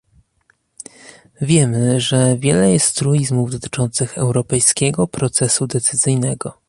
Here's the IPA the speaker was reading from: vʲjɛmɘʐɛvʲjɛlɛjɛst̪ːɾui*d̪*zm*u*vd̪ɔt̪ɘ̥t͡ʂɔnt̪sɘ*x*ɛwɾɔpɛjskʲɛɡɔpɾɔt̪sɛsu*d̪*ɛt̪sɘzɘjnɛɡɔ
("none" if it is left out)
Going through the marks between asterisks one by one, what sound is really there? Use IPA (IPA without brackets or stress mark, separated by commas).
none, u, x, d̪